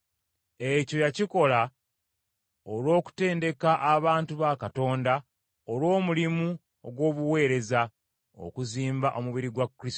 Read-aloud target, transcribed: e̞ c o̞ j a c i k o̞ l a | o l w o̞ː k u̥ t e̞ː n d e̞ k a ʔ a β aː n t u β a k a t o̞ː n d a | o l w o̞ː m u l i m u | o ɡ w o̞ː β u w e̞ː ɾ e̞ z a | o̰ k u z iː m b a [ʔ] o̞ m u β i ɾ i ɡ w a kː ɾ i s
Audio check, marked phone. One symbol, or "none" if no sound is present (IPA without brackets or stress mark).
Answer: ʔ